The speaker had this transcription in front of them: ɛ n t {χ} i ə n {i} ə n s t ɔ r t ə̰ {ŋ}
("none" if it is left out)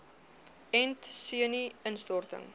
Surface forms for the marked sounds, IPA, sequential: s, i, ŋ

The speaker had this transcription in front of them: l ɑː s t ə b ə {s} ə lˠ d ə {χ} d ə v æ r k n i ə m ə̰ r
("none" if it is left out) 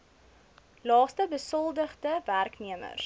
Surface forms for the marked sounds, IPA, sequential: s, χ

